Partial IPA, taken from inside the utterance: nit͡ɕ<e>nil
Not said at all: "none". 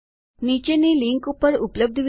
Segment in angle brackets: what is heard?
e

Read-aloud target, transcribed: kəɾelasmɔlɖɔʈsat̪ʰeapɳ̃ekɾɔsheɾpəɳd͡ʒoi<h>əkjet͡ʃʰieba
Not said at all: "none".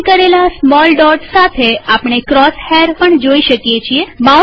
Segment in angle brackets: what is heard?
ʃ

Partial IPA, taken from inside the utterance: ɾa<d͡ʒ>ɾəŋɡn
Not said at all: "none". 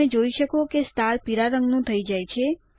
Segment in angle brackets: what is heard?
none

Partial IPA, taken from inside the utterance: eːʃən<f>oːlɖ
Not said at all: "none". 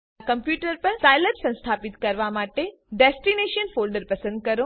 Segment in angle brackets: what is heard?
f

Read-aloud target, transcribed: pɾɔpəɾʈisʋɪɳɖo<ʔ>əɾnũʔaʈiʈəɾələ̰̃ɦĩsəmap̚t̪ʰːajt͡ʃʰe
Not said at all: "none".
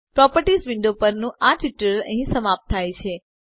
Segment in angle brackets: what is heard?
p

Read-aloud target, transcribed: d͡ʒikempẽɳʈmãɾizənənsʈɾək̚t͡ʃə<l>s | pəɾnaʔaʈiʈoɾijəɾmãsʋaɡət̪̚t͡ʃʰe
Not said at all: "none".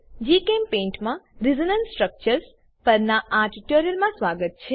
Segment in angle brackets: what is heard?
ɾ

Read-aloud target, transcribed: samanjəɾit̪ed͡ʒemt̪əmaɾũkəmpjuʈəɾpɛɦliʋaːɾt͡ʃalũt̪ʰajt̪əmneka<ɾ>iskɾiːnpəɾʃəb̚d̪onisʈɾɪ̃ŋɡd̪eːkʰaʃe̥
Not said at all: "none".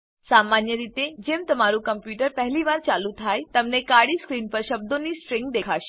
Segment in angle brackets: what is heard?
ɽ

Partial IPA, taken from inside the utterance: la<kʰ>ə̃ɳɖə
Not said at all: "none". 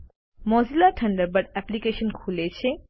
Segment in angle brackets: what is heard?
ʈʰ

